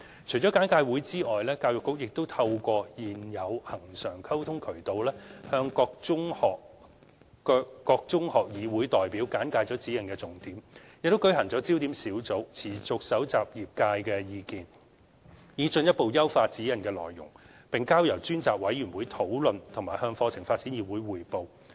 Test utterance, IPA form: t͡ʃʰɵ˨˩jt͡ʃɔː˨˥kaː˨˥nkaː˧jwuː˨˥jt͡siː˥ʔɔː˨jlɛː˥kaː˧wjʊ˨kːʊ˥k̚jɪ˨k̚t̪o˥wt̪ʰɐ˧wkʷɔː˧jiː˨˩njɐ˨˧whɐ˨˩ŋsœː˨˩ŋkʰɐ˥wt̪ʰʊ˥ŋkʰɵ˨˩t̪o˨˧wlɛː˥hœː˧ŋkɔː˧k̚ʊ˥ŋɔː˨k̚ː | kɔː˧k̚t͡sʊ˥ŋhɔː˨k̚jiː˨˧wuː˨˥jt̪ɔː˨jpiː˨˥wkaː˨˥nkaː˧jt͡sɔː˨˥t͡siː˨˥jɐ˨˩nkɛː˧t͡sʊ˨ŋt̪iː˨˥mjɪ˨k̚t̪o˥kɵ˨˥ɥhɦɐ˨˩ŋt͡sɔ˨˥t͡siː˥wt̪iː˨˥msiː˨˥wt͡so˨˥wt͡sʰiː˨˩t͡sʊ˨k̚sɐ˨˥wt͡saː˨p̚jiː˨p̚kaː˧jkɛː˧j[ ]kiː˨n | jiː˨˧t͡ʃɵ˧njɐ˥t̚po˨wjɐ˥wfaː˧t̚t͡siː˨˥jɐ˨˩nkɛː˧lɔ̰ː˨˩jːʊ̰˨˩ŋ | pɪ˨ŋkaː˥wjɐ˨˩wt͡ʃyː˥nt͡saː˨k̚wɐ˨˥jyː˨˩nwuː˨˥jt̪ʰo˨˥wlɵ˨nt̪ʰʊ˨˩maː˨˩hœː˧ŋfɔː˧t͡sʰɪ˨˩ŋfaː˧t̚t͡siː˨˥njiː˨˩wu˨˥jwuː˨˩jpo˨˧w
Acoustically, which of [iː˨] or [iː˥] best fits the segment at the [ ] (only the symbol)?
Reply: iː˨